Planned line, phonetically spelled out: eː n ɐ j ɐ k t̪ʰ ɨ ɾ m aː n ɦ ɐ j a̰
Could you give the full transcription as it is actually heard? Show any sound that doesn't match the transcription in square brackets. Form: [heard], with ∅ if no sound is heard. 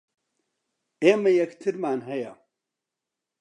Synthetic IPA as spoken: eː [m] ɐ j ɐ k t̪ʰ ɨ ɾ m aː n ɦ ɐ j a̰